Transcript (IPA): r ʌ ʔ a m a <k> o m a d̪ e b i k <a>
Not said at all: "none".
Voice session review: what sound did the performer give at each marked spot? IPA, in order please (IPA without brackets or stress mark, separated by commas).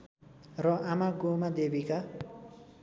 ɡ, a